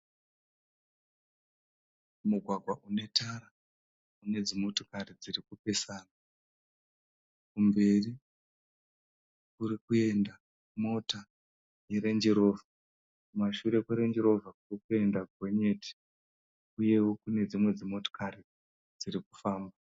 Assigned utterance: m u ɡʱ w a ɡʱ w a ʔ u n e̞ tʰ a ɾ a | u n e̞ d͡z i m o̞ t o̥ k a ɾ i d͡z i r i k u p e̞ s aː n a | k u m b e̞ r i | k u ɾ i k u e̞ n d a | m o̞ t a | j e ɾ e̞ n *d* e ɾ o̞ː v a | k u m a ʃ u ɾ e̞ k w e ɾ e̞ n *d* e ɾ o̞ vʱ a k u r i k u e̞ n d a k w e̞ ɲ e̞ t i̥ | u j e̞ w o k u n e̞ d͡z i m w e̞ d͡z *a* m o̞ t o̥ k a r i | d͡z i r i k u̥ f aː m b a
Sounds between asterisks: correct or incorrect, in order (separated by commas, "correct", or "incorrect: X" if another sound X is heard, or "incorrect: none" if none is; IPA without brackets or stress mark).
incorrect: d͡ʒ, incorrect: d͡ʒ, incorrect: i